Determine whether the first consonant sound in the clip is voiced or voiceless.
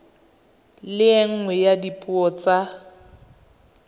voiced